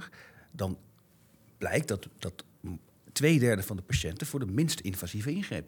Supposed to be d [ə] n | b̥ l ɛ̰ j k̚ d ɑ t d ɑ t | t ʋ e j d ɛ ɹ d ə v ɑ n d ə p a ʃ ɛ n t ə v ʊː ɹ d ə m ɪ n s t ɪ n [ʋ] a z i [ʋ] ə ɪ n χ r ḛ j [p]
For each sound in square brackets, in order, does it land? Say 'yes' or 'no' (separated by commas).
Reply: no, no, no, yes